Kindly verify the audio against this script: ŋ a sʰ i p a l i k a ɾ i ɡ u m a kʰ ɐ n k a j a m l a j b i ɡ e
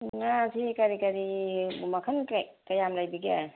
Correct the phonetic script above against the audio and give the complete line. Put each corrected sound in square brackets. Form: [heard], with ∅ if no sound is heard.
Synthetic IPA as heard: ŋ a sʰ i [k] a [ɾ] i k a ɾ i [b] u m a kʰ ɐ n k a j a m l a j b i ɡ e